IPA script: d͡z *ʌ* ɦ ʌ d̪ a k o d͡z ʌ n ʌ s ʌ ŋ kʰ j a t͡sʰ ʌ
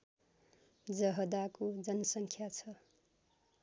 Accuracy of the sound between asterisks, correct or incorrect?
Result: correct